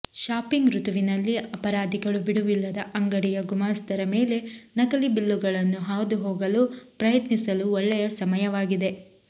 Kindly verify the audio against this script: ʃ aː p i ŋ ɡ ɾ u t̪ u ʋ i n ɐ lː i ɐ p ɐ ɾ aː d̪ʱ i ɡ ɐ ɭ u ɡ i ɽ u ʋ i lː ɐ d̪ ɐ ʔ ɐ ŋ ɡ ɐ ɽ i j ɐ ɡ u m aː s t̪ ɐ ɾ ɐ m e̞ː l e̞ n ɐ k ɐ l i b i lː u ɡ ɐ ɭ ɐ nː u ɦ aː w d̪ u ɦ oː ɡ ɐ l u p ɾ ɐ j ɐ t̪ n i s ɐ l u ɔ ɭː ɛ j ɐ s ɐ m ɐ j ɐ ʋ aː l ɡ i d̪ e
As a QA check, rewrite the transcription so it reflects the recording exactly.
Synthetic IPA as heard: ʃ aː p i ŋ ɡ ɾ u t̪ u ʋ i n ɐ lː i ɐ p ɐ ɾ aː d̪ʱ i ɡ ɐ ɭ u b i ɽ u ʋ i lː ɐ d̪ ɐ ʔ ɐ ŋ ɡ ɐ ɽ i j ɐ ɡ u m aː s t̪ ɐ ɾ ɐ m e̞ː l e̞ n ɐ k ɐ l i b i lː u ɡ ɐ ɭ ɐ nː u ɦ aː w d̪ u ɦ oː ɡ ɐ l u p ɾ ɐ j ɐ t̪ n i s ɐ l u ɔ ɭː ɛ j ɐ s ɐ m ɐ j ɐ ʋ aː ɡ i d̪ e